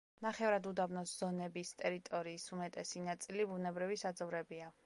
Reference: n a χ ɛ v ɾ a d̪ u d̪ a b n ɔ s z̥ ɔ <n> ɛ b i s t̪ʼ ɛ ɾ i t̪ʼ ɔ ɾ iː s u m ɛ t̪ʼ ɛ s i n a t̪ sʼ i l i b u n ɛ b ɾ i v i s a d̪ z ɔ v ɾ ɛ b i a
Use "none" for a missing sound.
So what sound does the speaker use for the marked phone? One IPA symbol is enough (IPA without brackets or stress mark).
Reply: n